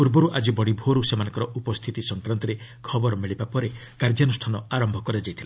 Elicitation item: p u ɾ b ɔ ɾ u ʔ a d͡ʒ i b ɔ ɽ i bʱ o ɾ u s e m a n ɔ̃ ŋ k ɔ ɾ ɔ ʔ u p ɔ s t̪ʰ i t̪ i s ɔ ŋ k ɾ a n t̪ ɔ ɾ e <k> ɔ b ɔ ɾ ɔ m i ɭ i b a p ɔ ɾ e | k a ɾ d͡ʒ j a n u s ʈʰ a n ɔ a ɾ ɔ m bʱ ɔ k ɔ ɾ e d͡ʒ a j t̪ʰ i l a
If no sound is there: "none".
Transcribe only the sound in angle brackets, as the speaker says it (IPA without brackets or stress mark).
kʰ